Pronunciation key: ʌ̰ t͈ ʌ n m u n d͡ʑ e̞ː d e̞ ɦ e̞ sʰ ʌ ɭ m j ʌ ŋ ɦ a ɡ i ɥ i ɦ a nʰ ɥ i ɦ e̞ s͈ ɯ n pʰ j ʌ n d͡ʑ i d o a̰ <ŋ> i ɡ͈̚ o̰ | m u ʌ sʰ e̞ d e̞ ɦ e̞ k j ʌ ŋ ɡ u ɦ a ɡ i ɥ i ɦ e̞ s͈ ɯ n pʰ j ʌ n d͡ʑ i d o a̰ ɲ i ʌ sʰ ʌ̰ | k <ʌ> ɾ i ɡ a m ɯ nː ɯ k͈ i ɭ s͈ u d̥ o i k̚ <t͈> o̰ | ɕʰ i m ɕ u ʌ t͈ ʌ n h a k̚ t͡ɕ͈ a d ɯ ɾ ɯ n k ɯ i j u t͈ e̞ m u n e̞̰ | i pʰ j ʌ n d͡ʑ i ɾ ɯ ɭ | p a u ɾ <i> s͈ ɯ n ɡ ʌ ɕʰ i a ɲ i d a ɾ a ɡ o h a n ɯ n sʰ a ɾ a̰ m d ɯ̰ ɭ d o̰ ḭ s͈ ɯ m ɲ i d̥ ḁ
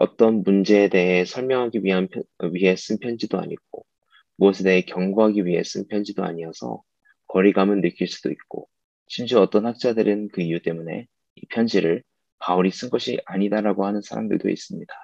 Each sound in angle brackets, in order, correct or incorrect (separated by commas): incorrect, correct, incorrect, correct